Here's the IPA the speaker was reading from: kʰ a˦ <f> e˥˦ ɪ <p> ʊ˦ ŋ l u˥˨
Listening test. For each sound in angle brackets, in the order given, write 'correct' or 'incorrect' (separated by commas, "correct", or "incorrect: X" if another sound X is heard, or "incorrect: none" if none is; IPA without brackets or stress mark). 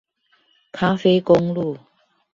correct, incorrect: k